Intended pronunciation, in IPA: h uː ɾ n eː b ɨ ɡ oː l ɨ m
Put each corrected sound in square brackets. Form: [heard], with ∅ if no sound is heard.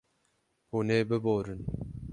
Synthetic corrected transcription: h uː [∅] n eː b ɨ [b] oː [ɾ] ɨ [n]